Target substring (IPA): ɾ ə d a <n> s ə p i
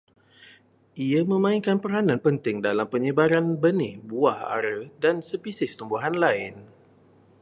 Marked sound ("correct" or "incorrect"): correct